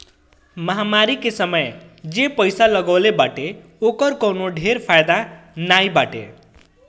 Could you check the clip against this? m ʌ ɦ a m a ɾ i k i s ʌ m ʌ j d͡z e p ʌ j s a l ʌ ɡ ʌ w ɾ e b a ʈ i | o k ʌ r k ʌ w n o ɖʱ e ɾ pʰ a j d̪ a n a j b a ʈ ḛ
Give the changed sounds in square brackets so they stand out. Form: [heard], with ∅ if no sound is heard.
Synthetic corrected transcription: m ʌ ɦ a m a ɾ i k [e] s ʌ m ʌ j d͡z e p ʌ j s a l ʌ ɡ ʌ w [l] e b a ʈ [e] | o k ʌ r k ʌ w n o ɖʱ e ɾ pʰ a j d̪ a n a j b a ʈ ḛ